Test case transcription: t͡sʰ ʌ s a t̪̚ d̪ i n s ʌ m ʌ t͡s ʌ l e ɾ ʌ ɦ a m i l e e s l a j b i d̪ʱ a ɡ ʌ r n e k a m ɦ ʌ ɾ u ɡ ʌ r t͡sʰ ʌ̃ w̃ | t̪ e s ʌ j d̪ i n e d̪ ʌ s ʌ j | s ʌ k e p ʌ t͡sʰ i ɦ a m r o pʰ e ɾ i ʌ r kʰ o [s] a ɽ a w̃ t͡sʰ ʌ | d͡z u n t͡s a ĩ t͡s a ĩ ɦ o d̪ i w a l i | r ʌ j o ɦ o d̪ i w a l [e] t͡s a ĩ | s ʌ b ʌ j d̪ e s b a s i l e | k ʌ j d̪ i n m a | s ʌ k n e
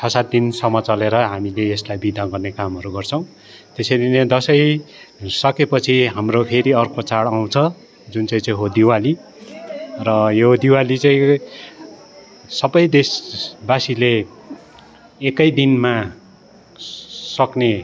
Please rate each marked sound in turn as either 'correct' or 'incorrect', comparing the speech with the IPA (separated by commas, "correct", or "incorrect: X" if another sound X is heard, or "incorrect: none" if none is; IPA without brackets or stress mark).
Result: incorrect: t͡s, incorrect: i